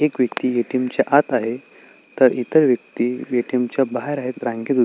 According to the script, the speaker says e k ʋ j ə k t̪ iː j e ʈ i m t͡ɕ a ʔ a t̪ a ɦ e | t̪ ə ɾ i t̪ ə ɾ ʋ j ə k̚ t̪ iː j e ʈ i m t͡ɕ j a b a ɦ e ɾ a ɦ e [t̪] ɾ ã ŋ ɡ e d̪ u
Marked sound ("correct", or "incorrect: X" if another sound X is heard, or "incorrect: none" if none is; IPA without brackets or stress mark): correct